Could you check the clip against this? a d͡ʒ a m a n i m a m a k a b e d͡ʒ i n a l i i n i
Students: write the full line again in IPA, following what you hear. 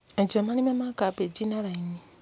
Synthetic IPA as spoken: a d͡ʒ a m a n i m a m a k a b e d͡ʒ i n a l a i n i